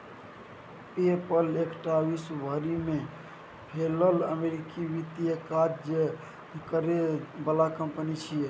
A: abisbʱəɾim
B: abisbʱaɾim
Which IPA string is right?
A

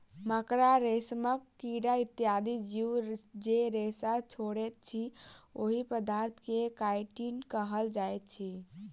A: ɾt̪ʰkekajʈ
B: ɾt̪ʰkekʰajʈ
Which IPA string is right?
A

